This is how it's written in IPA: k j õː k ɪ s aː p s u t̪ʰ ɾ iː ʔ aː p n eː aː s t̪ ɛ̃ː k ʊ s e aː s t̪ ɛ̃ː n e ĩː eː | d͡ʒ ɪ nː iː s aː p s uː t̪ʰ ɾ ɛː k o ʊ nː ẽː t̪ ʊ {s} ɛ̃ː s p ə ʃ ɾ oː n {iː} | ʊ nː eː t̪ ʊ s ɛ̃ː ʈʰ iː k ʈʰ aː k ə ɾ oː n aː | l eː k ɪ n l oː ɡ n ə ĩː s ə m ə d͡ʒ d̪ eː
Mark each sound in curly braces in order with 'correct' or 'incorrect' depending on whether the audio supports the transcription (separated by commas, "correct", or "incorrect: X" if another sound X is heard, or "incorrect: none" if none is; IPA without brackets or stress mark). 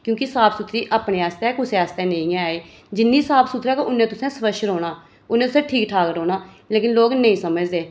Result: correct, incorrect: aː